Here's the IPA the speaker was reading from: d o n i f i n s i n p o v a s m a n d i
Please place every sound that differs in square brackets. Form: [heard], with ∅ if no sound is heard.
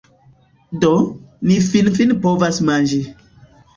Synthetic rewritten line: d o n i f i n [f] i n p o v a s m a n [d͡ʒ] i